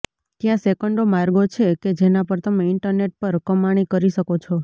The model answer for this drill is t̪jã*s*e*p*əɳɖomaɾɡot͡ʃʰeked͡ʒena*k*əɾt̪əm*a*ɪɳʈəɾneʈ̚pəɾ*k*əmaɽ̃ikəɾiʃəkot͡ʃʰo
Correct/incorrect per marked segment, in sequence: correct, incorrect: k, incorrect: p, incorrect: e, correct

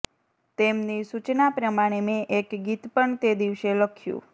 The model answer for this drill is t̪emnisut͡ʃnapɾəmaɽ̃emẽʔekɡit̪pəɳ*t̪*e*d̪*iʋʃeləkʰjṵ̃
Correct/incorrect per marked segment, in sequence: correct, correct

